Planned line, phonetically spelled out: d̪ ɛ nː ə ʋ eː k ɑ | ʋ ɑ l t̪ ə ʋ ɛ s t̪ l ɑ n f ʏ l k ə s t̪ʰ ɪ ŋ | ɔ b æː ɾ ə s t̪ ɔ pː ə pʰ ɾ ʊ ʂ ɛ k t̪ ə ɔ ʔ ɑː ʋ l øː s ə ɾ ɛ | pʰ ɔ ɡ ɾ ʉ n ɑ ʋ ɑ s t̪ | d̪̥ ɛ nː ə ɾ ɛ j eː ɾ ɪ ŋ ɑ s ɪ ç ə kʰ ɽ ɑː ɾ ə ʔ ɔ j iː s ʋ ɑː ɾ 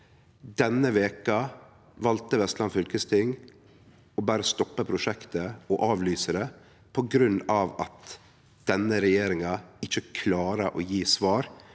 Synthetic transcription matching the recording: d̪ ɛ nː ə ʋ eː k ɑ | ʋ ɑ l t̪ ə ʋ ɛ s t̪ l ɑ n f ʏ l k ə s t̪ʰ ɪ ŋ | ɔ b æː ɾ ə s t̪ ɔ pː ə pʰ ɾ ʊ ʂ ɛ k t̪ ə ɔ ʔ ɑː ʋ l yː s ə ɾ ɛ | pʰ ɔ ɡ ɾ ʉ n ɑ ʋ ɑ t̪ | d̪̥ ɛ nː ə ɾ ɛ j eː ɾ ɪ ŋ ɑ ɪ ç ə kʰ l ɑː ɾ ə ʔ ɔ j iː s ʋ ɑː ɾ